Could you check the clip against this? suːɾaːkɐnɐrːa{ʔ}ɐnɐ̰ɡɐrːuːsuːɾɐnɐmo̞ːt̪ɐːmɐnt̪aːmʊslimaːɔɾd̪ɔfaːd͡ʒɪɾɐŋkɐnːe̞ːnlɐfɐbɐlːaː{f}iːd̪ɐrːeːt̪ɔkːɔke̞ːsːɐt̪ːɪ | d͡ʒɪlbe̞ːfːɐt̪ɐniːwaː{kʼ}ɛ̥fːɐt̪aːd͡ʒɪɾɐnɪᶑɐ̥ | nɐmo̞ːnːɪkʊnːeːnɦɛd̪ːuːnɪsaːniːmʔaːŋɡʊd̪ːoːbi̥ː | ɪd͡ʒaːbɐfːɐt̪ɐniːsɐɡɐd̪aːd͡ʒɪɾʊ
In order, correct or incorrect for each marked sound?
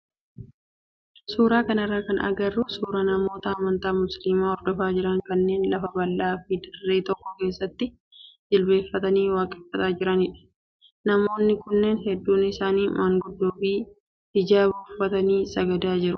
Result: incorrect, correct, correct

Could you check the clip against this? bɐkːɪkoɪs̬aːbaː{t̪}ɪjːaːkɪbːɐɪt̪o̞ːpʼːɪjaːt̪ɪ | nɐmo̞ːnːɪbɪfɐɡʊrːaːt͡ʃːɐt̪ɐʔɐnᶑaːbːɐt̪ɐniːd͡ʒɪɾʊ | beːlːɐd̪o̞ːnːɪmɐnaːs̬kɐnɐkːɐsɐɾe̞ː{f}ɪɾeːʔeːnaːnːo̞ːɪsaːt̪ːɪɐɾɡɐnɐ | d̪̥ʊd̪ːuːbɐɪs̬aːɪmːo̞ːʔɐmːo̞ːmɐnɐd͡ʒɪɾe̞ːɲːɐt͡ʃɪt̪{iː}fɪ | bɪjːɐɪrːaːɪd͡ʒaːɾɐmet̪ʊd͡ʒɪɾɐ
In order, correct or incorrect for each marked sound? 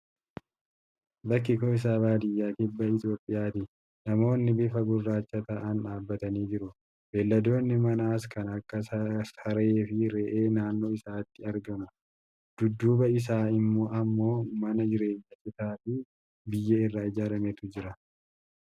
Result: incorrect, correct, incorrect

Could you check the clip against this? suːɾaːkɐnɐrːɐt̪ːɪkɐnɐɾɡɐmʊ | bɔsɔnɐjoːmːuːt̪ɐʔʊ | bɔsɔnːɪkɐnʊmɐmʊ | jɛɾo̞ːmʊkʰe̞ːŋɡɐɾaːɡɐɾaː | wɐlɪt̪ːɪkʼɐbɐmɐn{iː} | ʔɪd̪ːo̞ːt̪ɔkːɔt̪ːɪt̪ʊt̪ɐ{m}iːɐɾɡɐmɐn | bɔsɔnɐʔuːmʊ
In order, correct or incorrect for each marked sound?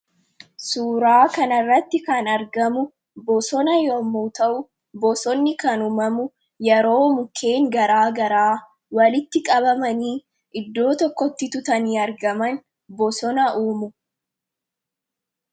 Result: correct, incorrect

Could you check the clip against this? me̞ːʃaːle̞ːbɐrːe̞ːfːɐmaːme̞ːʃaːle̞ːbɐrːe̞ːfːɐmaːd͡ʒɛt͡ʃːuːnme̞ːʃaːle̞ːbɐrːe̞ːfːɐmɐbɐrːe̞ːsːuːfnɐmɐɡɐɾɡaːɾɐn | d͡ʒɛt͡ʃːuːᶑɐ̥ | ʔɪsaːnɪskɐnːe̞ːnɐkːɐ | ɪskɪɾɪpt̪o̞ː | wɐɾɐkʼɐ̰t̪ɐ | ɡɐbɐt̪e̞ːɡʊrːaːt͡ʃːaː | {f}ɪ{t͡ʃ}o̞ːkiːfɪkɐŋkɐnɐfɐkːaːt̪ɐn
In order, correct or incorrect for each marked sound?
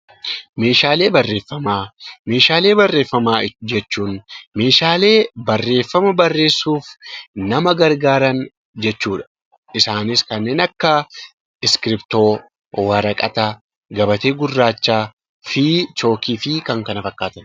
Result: correct, correct

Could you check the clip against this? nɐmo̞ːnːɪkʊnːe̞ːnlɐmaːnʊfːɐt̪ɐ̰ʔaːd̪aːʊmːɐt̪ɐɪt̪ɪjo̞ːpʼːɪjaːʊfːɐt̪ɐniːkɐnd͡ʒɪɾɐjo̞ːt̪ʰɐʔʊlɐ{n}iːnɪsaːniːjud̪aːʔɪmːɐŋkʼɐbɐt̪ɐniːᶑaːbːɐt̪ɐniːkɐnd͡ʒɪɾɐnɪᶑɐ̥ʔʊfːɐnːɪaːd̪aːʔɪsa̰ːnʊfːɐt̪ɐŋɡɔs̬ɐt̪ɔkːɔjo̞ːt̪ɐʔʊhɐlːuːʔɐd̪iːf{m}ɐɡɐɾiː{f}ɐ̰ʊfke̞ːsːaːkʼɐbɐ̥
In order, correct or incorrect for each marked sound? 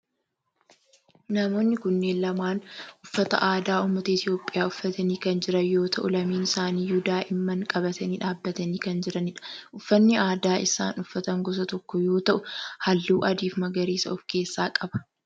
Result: incorrect, correct, incorrect

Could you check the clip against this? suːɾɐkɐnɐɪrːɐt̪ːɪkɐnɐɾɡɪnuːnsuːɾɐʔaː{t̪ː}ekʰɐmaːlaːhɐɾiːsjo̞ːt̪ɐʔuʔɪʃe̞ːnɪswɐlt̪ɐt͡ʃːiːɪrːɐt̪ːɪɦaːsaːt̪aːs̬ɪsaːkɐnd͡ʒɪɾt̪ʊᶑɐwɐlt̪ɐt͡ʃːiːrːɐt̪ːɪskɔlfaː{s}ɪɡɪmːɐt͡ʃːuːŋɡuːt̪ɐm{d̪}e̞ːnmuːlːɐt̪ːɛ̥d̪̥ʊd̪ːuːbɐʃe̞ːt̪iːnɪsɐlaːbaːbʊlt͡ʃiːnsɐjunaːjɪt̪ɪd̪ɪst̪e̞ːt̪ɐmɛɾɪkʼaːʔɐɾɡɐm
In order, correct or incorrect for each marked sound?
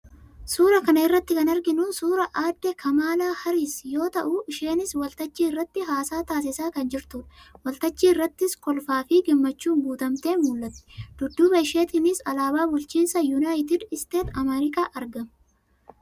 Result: incorrect, incorrect, incorrect

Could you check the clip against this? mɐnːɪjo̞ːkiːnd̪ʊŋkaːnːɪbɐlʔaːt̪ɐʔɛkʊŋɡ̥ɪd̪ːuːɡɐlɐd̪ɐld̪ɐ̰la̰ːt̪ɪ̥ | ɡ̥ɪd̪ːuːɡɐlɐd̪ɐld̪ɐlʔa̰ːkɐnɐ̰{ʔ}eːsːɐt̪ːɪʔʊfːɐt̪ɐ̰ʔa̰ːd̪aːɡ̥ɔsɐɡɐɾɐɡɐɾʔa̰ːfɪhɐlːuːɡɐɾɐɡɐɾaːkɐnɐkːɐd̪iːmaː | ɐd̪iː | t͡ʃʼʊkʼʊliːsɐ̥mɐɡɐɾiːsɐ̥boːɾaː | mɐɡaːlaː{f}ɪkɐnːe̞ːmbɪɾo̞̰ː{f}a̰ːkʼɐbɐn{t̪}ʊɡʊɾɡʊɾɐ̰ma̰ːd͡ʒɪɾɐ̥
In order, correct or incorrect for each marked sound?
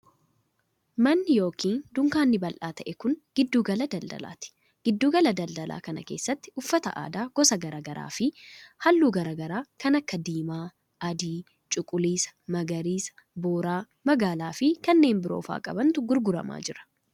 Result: incorrect, correct, correct, correct

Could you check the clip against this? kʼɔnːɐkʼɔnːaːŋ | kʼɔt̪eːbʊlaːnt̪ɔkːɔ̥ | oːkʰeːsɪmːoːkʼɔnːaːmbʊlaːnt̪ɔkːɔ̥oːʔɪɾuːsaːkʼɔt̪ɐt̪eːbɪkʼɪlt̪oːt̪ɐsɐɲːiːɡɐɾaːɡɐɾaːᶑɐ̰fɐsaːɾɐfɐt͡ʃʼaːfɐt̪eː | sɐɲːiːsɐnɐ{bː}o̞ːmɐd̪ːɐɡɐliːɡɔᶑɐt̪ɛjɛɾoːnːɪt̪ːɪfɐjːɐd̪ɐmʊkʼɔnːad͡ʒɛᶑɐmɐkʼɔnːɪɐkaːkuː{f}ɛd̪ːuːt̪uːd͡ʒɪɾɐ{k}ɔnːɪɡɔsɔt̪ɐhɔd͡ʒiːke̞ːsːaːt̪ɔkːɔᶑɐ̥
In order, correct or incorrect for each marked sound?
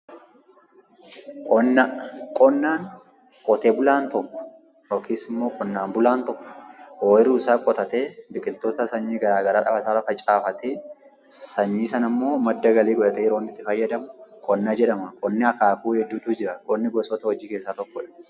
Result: incorrect, incorrect, incorrect

